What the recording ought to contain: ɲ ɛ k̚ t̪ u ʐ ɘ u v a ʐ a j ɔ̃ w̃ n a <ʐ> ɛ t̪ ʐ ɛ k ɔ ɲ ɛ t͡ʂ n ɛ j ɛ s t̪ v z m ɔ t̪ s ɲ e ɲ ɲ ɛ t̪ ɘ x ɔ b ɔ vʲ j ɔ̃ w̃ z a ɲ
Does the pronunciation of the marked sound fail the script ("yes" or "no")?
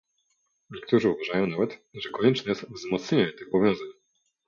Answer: yes